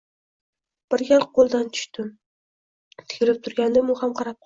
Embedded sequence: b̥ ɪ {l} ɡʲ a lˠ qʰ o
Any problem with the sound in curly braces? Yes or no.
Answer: yes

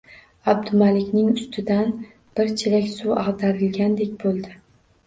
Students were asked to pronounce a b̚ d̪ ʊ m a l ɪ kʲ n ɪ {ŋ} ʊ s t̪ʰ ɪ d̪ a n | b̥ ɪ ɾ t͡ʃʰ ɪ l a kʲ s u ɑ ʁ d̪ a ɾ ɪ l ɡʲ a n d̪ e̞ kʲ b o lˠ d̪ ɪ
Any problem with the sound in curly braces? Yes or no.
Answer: no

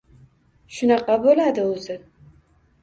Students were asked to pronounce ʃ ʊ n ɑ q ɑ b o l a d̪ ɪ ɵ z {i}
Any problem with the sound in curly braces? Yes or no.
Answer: yes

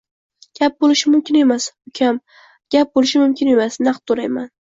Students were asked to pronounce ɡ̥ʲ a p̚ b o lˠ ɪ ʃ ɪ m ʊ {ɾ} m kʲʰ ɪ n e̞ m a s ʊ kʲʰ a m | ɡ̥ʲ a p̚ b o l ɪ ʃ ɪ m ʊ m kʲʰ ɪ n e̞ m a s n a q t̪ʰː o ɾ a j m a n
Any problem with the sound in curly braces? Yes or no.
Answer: yes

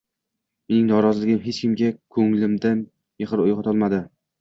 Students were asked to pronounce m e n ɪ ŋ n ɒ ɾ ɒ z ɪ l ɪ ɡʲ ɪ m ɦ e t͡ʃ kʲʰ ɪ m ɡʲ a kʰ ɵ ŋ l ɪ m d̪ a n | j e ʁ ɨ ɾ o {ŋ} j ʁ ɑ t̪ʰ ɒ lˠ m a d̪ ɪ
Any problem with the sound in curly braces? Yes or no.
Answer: yes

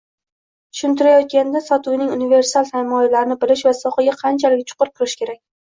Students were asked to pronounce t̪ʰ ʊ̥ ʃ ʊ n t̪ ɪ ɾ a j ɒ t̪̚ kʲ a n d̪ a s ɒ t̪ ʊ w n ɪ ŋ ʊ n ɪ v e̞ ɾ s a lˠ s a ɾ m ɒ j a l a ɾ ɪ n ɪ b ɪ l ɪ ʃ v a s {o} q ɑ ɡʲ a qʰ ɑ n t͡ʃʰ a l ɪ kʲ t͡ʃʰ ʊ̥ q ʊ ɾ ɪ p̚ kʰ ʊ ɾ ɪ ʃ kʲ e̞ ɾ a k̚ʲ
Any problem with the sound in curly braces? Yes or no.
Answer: yes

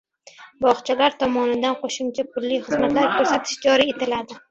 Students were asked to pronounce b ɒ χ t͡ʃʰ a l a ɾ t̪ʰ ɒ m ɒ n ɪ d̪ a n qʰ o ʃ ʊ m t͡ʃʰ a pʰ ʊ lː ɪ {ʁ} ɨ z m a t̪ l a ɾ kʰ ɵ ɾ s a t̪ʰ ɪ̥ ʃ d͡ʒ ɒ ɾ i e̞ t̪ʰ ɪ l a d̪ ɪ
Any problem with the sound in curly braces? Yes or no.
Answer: yes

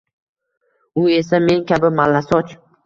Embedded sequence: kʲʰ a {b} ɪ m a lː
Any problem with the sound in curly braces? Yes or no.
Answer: no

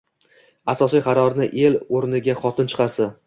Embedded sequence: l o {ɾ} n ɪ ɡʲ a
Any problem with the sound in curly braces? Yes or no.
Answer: no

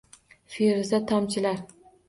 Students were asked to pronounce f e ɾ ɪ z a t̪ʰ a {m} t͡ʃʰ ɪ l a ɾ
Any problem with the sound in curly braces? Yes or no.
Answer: no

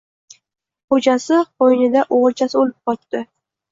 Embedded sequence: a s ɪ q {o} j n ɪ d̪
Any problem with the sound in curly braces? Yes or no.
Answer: no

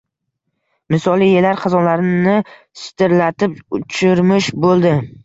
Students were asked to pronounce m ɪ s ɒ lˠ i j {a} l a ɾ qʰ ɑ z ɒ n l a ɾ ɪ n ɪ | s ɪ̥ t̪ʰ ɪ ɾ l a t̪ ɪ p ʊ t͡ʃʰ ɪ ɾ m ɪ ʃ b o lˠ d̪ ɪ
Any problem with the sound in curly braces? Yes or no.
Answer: yes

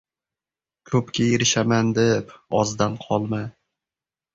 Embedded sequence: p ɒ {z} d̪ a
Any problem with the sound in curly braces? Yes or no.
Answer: no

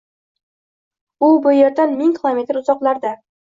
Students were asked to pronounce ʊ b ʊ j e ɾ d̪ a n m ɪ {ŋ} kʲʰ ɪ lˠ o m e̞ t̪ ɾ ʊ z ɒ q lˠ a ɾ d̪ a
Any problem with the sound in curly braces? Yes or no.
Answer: no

